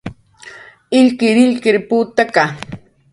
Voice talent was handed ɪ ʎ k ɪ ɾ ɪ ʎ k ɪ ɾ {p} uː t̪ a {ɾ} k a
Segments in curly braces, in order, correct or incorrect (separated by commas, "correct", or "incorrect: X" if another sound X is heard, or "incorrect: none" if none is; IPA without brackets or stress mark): correct, incorrect: none